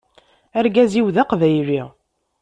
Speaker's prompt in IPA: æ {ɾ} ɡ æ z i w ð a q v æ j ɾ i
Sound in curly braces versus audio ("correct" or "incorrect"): correct